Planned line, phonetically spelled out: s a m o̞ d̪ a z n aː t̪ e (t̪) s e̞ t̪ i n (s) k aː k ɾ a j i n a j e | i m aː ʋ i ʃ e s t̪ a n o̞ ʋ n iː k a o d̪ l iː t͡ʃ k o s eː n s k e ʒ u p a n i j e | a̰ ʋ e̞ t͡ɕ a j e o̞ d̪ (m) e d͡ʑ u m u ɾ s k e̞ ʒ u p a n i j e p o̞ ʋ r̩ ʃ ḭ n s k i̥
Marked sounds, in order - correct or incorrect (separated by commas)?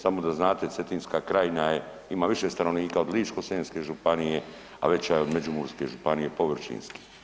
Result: correct, correct, correct